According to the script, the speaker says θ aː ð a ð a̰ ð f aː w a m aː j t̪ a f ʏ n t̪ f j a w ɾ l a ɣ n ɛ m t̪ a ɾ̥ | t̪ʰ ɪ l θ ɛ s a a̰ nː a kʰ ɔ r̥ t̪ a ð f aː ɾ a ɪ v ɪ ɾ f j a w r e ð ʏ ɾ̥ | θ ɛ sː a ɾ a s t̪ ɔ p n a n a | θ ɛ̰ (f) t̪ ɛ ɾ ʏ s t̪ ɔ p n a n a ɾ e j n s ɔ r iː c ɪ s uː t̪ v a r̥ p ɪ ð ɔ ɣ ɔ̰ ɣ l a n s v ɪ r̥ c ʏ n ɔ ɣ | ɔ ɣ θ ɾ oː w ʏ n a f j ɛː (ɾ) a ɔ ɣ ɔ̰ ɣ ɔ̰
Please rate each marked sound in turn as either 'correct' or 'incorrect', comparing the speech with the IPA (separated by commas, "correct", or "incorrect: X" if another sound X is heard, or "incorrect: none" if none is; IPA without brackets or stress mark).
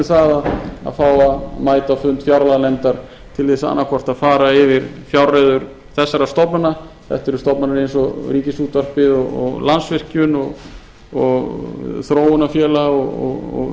incorrect: h, incorrect: l